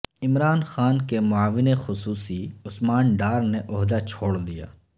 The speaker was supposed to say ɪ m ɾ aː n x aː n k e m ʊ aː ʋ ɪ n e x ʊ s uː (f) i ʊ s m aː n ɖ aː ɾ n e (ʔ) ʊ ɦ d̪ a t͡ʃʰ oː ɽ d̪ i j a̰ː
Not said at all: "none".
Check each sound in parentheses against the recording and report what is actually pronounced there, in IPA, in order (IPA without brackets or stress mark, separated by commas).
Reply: s, ʔ